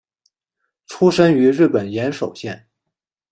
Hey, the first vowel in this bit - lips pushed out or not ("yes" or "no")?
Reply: yes